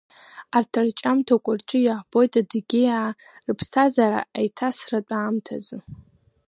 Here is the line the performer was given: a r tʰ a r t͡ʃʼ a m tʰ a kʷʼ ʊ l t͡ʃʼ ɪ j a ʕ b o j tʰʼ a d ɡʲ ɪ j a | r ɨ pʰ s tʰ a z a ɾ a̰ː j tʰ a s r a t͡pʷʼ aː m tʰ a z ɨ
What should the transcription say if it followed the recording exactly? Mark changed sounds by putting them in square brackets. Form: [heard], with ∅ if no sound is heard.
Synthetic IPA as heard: a r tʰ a r t͡ʃʼ a m tʰ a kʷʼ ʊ [r] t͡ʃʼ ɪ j a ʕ b o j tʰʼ a d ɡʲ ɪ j a | r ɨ pʰ s tʰ a z a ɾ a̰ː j tʰ a s r a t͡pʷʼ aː m tʰ a z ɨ